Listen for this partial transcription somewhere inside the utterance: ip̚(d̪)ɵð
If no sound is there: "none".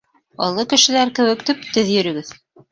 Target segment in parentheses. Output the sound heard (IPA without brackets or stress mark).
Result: t̪